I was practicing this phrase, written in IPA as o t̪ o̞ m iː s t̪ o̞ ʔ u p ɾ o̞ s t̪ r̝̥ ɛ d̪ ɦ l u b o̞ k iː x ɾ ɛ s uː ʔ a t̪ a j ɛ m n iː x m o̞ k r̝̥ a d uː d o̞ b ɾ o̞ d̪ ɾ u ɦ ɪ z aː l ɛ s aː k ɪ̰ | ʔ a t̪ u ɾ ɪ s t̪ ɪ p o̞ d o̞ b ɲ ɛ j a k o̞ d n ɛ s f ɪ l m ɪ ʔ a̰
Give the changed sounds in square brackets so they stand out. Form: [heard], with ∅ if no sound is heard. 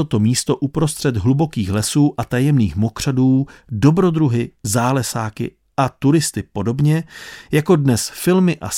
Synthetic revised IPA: o t̪ o̞ m iː s t̪ o̞ ʔ u p ɾ o̞ s t̪ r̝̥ ɛ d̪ ɦ l u b o̞ k iː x [l] ɛ s uː ʔ a t̪ a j ɛ m n iː x m o̞ k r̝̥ a d uː d o̞ b ɾ o̞ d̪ ɾ u ɦ ɪ z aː l ɛ s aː k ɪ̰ | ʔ a t̪ u ɾ ɪ s t̪ ɪ p o̞ d o̞ b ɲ ɛ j a k o̞ d n ɛ s f ɪ l m ɪ ʔ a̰